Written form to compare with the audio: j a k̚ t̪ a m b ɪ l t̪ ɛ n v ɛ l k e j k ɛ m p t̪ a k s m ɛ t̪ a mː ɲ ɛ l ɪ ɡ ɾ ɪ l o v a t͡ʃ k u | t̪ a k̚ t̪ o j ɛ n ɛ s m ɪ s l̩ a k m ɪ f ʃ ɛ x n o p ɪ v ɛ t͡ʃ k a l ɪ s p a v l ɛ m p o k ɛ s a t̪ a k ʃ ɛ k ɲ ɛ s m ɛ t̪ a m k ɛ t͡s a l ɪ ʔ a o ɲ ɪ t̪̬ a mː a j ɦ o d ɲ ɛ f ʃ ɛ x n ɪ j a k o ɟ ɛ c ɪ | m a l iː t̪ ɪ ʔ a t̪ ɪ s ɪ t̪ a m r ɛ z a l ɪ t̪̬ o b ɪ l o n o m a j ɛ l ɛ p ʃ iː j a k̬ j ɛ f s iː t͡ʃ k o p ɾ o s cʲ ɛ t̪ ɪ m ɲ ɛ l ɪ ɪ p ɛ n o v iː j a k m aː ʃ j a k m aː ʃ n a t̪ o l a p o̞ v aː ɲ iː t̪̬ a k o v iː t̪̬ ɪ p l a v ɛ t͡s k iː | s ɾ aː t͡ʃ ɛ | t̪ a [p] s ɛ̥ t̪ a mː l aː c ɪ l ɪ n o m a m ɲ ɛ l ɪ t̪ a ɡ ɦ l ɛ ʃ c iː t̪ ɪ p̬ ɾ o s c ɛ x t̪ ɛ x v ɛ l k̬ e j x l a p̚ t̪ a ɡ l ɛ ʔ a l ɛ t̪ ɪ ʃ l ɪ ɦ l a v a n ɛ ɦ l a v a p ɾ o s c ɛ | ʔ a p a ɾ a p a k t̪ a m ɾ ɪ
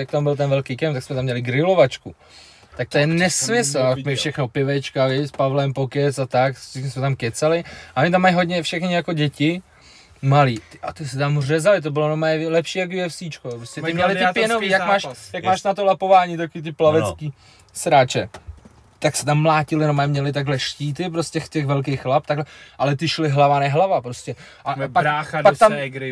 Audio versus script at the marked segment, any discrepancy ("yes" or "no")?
yes